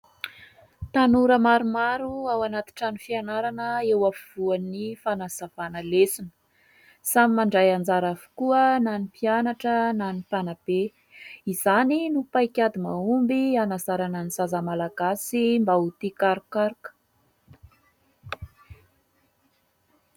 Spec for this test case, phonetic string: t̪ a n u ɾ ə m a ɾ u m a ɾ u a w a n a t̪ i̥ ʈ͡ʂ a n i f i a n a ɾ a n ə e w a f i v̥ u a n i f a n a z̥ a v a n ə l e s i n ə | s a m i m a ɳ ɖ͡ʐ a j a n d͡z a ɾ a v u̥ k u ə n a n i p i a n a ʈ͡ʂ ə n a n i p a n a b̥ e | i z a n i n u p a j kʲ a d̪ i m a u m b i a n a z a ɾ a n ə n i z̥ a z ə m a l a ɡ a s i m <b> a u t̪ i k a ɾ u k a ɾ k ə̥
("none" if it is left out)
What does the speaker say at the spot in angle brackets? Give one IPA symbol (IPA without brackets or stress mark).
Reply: b